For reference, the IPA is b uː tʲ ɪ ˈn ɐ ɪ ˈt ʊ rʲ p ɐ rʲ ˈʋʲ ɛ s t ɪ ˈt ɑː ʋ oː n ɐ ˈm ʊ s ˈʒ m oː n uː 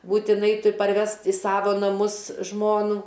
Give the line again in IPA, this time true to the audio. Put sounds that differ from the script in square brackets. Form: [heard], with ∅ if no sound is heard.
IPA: b uː tʲ ɪ ˈn ɐ ɪ ˈt ʊ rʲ p ɐ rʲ ˈʋʲ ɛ s t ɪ [ˈs] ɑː ʋ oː n ɐ ˈm ʊ s ˈʒ m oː n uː